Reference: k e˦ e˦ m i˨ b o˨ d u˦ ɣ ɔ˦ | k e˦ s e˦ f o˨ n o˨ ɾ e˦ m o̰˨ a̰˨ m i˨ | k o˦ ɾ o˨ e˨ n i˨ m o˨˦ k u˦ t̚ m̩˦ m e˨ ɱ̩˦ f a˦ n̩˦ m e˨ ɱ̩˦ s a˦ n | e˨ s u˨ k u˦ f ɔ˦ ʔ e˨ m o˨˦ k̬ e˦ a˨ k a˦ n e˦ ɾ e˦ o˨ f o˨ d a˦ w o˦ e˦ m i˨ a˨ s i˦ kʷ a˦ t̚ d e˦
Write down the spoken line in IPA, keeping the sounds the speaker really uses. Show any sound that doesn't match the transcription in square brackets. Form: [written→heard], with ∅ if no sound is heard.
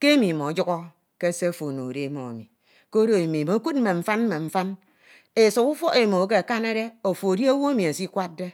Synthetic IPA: k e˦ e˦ m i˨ [b→m] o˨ [d→d͡ʒ] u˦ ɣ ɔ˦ | k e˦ s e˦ f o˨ n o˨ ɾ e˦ m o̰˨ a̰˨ m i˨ | k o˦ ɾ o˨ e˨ [n→m] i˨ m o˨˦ k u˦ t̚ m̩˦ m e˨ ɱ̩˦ f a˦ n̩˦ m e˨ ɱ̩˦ [s→f] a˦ n | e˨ s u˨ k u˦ f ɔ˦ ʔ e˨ m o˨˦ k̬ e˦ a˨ k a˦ n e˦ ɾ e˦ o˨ f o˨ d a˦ w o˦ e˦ m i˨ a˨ s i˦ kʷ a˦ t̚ d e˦